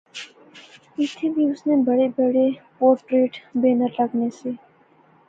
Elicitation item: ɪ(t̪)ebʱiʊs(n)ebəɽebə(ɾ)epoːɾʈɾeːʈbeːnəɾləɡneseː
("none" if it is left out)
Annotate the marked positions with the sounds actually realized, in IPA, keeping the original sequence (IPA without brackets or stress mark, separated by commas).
t̪ʰ, n, ɽ